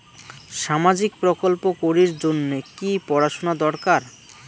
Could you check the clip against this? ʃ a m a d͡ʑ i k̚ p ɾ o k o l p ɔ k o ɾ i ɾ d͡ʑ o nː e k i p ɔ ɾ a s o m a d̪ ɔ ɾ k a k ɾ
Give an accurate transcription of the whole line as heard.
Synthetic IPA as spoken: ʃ a m a d͡ʑ i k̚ p ɾ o k o l p o k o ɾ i ɾ d͡ʑ o nː e k i p ɔ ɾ a ʃ o n a d̪ ɔ ɾ k a ɾ